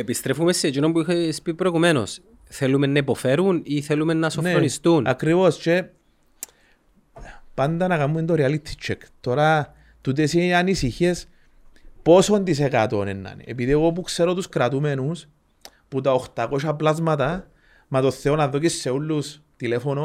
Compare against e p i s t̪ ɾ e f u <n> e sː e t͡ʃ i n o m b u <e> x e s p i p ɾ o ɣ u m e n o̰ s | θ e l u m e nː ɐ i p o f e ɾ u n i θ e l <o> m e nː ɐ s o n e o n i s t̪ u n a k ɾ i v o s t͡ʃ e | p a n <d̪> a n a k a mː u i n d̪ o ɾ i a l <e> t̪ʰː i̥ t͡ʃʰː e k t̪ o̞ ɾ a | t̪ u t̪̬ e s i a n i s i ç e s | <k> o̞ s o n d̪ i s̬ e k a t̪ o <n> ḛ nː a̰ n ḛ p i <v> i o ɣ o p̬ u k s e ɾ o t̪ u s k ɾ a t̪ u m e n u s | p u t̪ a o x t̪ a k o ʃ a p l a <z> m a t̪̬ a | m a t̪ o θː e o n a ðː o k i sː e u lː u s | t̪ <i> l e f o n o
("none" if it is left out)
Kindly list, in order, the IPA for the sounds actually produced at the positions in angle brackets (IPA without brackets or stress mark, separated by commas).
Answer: m, i, u, d̪, i, p, n, ð, z, i